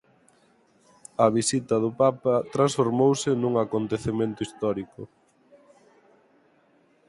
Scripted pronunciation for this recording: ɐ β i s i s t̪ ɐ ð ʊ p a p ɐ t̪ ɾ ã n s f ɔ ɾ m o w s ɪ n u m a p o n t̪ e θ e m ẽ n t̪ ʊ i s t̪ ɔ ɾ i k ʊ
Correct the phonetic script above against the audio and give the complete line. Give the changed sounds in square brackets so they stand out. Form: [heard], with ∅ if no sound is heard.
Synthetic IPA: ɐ β i s i [∅] t̪ ɐ ð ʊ p a p ɐ t̪ ɾ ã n s f [o] ɾ m o w s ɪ n u [ŋ] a [k] o n t̪ e θ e m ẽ n t̪ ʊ i s t̪ ɔ ɾ i k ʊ